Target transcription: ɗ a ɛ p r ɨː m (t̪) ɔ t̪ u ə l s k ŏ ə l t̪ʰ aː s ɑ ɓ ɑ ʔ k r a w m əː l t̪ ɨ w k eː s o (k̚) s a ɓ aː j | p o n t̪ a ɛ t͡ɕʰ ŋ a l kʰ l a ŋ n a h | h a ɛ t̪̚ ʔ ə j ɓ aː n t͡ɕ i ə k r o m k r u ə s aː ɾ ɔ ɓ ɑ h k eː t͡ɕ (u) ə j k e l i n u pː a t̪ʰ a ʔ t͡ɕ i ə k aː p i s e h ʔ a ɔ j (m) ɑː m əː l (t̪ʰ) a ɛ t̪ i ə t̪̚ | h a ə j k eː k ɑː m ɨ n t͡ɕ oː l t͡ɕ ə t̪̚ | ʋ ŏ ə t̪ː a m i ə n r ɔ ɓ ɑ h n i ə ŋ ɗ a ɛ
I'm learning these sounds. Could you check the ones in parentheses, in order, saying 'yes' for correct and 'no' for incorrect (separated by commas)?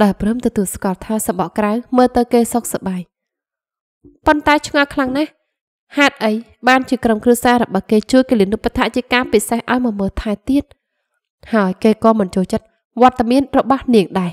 yes, yes, yes, yes, yes